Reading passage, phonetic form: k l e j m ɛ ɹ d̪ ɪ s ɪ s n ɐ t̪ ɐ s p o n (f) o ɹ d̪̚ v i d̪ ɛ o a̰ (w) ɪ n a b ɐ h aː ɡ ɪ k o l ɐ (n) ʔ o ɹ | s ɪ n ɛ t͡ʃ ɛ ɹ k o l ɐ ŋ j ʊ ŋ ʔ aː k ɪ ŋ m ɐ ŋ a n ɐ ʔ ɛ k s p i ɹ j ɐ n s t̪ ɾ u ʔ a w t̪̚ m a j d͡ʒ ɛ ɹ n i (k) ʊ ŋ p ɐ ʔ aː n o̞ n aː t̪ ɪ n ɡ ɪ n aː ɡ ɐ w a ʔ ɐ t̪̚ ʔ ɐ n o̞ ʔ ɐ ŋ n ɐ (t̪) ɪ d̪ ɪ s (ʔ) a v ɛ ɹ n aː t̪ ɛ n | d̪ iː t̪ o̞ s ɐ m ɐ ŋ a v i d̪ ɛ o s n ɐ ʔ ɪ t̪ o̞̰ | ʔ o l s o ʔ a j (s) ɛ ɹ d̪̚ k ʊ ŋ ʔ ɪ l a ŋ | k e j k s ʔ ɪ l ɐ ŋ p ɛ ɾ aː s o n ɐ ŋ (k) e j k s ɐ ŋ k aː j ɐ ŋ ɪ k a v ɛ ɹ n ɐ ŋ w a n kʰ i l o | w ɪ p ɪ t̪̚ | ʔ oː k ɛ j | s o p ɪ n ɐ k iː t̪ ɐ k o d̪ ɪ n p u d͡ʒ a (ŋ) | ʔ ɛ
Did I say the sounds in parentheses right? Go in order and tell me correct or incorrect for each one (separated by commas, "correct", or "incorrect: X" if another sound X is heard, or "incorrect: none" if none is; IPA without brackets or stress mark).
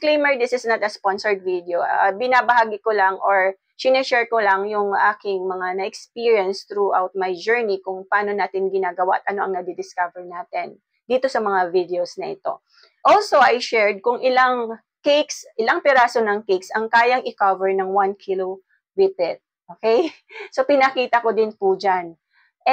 incorrect: s, incorrect: b, incorrect: ŋ, correct, incorrect: d̪, incorrect: k, incorrect: ʃ, correct, incorrect: n